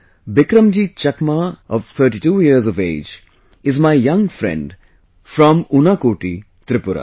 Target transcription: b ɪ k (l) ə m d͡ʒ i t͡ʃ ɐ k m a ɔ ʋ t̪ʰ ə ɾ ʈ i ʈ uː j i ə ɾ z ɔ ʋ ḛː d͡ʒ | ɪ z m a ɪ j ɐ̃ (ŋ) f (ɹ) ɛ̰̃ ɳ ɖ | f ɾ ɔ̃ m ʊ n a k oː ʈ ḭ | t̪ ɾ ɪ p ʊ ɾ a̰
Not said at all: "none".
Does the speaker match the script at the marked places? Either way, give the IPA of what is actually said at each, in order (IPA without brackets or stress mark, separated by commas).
ɾ, ŋ, ɾ